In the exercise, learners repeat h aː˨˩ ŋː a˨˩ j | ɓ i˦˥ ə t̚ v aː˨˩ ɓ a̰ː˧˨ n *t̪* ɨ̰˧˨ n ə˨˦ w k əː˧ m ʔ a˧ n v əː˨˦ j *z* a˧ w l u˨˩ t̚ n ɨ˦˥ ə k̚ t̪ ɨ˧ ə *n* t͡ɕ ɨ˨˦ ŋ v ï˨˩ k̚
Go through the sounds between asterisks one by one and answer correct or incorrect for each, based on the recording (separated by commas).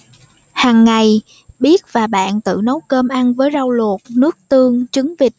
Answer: correct, correct, incorrect